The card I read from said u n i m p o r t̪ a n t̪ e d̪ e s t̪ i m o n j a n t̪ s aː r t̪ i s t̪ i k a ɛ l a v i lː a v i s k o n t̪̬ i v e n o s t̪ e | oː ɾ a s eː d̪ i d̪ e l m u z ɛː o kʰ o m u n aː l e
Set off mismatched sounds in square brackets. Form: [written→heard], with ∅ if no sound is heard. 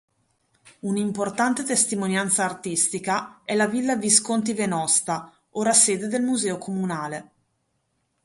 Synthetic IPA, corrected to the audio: u n i m p o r t̪ a n t̪ e [d̪→t̪] e s t̪ i m o n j a n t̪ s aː r t̪ i s t̪ i k a ɛ l a v i lː a v i s k o n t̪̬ i v e n [o→ɔ] s t̪ [e→a] | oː ɾ a s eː d̪ [i→e] d̪ e l m u z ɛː o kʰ o m u n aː l e